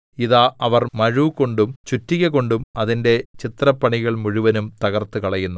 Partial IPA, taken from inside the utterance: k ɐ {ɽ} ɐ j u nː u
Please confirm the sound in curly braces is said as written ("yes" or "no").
no